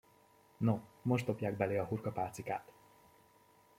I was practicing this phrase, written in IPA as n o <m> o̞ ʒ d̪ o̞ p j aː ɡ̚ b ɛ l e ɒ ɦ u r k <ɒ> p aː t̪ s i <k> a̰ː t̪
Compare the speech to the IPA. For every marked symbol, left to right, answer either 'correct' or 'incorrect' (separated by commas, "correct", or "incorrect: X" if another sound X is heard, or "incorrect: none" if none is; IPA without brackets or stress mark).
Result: correct, correct, correct